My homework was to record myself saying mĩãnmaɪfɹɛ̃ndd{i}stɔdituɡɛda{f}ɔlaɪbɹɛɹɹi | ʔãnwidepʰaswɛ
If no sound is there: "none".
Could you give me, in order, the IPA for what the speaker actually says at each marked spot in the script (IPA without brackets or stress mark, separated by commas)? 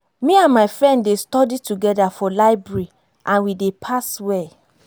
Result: e, f